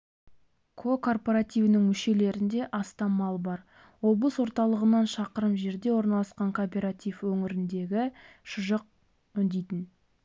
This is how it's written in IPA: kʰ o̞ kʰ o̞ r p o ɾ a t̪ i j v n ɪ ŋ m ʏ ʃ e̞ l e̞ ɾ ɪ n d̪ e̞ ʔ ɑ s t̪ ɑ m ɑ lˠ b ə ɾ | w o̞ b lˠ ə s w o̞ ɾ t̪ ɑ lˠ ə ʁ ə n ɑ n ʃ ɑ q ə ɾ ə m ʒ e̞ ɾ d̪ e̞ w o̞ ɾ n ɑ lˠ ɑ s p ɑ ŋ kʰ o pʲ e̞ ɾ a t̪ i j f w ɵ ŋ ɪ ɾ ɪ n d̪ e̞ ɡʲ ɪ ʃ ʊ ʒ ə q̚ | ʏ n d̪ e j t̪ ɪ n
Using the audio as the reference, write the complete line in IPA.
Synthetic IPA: kʰ o̞ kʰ o̞ r p o ɾ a t̪ i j v n ɪ ŋ m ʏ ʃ e̞ l e̞ ɾ ɪ n d̪ e̞ ʔ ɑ s t̪ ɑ m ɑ lˠ b ɑ ɾ | w o̞ b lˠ ə s w o̞ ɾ t̪ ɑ lˠ ə ʁ ə n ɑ n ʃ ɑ q ə ɾ ə m ʒ e̞ ɾ d̪ e̞ w o̞ ɾ n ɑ lˠ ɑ s q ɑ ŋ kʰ o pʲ e̞ ɾ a t̪ i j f w ɵ ŋ ɪ ɾ ɪ n d̪ e̞ ɡʲ ɪ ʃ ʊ ʒ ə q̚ | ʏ n d̪ e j t̪ ɪ n